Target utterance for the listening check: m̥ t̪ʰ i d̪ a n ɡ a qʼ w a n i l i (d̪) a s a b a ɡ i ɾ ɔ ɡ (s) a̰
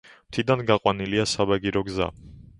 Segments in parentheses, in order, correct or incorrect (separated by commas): incorrect, incorrect